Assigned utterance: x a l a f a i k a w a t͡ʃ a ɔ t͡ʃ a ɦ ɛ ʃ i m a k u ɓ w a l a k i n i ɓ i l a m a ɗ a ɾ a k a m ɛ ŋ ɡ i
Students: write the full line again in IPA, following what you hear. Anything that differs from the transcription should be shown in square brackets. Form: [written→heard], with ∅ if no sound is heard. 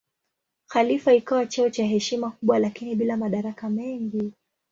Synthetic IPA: x a l [a→i] f a i k a w a t͡ʃ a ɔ t͡ʃ a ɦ ɛ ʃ i m a k u ɓ w a l a k i n i ɓ i l a m a ɗ a ɾ a k a m ɛ ŋ ɡ i

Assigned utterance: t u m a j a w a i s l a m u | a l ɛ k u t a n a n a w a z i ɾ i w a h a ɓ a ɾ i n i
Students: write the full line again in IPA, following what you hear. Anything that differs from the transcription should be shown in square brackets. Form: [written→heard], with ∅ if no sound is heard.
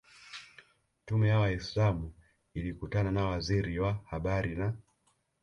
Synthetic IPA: t u m [a→ɛ] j a w a i s l a m u | [a→i] l [ɛ→i] k u t a n a n a w a z i ɾ i w a h a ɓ a ɾ i n [i→a]

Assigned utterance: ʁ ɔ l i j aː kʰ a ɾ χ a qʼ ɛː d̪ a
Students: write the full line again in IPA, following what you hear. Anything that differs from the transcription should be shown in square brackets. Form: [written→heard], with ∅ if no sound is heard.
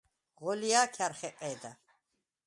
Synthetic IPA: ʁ ɔ l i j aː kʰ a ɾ χ [a→ɛ] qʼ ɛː d̪ a

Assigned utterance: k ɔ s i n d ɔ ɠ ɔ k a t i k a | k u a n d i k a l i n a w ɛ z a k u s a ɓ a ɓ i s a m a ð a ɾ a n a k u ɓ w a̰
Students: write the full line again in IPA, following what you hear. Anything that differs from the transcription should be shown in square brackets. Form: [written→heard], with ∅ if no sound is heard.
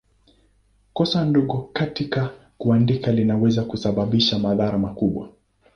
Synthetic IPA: k ɔ s [i→a] n d ɔ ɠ ɔ k a t i k a | k u a n d i k a l i n a w ɛ z a k u s a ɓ a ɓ i [s→ʃ] a m a ð a ɾ a [n→m] a k u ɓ w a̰

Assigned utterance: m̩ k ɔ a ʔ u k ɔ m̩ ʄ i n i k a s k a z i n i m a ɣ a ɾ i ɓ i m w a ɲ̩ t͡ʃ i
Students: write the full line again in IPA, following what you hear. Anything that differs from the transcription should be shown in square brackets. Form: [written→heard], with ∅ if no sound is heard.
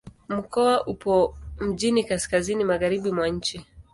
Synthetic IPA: m̩ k ɔ a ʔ u [k→p] ɔ m̩ ʄ i n i k a s k a z i n i m a ɣ a ɾ i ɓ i m w a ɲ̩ t͡ʃ i

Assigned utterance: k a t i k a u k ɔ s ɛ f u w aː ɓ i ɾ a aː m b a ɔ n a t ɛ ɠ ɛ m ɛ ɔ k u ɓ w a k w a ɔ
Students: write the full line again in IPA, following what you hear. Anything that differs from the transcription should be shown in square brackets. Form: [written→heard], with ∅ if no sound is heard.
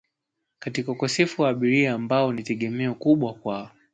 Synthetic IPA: k a t i k a u k ɔ s ɛ f u w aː ɓ i ɾ [a→i] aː m b a ɔ n [a→i] t ɛ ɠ ɛ m ɛ ɔ k u ɓ w a k w a ɔ

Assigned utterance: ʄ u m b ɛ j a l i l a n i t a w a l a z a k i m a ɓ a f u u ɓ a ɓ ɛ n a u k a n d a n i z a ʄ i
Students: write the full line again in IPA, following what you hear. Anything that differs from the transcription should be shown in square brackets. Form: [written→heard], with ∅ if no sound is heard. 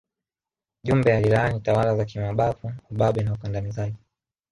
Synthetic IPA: ʄ u m b ɛ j a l i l a n i t a w a l a z a k i m a ɓ a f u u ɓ a ɓ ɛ n a u k a n d a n i z a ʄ i

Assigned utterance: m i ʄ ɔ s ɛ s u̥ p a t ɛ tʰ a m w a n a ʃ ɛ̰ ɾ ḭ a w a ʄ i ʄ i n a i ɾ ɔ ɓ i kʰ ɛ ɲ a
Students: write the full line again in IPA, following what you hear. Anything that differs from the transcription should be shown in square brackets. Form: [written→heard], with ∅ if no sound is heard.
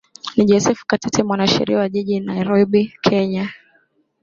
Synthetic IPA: [m→n] i ʄ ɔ s ɛ [s→f] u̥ [p→k] a t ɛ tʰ [a→ɛ] m w a n a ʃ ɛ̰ ɾ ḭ a w a ʄ i ʄ i n a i ɾ ɔ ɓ i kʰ ɛ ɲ a

